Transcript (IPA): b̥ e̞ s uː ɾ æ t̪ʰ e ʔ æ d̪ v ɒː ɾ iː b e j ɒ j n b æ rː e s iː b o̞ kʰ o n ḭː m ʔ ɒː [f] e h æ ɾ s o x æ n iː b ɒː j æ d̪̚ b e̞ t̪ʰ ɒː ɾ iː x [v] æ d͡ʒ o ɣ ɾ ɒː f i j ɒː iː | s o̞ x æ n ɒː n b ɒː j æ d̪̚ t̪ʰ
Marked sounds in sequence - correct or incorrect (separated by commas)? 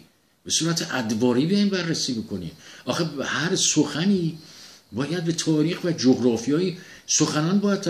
incorrect, correct